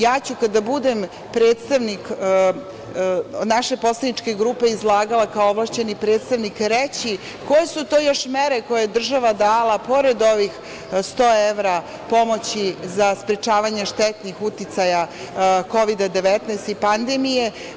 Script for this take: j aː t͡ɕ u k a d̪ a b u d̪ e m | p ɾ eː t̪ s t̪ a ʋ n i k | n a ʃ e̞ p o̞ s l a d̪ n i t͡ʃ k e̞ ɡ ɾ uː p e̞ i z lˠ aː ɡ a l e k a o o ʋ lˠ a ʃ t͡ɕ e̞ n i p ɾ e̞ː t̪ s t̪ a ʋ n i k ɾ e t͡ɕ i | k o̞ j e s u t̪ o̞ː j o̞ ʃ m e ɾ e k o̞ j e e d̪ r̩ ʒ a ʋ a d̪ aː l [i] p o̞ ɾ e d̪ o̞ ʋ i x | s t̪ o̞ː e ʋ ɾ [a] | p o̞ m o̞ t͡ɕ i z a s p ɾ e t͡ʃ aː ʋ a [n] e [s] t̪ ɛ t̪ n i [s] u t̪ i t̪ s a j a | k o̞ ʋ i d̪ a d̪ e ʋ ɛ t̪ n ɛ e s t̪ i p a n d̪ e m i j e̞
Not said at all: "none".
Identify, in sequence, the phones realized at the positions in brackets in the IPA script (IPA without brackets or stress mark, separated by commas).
a, a, ɲ, ʃ, x